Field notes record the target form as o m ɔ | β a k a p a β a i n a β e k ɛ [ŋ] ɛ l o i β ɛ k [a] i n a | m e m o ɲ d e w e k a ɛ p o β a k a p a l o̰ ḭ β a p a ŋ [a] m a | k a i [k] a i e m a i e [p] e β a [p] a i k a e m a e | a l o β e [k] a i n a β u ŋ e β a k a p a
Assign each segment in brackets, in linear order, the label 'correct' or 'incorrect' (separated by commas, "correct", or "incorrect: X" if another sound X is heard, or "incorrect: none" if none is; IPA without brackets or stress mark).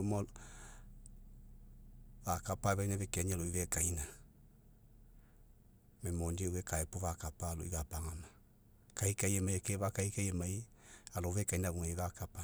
incorrect: ɲ, correct, correct, correct, incorrect: k, incorrect: k, correct